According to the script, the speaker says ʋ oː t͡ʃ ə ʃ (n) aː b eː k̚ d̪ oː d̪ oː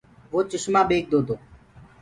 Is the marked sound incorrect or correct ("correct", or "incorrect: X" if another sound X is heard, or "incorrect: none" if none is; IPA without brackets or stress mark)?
incorrect: m